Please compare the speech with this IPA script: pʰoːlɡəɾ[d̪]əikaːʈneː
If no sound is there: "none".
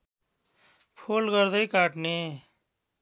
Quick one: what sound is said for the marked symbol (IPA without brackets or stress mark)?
d̪